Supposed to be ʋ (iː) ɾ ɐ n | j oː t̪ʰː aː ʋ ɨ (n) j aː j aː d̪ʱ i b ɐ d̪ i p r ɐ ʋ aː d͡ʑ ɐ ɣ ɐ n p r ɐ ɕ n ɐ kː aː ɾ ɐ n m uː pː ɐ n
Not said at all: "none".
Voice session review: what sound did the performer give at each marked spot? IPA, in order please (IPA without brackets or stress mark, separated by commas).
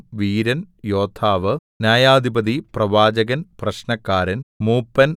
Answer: iː, n